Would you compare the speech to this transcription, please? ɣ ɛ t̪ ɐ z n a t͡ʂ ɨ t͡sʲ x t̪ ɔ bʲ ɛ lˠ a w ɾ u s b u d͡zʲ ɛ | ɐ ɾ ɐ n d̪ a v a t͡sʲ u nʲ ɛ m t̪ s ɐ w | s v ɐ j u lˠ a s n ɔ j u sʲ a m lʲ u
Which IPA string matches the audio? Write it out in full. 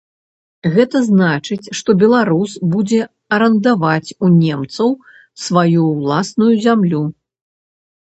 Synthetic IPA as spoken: ɣ ɛ t̪ ɐ z n a t͡ʂ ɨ t͡sʲ ʂ t̪ ɔ bʲ ɛ lˠ a ɾ u s b u d͡zʲ ɛ | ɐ ɾ ɐ n d̪ a v a t͡sʲ u nʲ ɛ m t̪ s ɐ w | s v a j u lˠ a s n u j u zʲ a m lʲ u